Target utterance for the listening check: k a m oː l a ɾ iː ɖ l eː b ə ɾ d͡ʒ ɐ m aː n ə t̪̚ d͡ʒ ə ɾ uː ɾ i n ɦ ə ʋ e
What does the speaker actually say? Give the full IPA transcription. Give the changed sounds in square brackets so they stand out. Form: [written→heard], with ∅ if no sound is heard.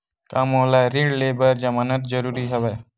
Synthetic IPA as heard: k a m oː l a ɾ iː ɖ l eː b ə ɾ d͡ʒ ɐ m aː n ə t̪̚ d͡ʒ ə ɾ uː ɾ i [n→∅] ɦ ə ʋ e